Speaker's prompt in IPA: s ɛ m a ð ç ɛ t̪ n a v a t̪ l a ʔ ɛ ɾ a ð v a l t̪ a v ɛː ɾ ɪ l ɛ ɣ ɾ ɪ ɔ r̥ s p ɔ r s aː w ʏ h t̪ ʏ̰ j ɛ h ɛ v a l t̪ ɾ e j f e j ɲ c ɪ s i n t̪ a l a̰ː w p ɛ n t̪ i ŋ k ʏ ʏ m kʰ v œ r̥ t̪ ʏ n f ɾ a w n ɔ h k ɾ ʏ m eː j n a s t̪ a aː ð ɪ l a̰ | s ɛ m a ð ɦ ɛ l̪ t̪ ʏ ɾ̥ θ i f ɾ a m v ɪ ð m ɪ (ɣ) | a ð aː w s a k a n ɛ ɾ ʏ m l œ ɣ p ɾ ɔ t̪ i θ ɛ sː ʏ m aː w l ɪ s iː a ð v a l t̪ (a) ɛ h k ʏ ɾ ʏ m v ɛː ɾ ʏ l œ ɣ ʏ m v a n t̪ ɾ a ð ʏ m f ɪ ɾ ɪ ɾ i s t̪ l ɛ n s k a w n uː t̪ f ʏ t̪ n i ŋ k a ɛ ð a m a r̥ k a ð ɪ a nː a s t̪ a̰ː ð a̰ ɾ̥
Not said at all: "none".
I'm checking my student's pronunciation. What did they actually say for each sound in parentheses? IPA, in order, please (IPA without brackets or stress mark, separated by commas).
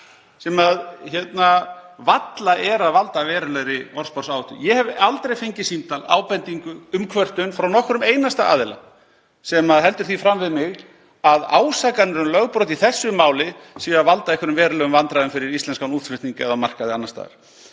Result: ɣ, a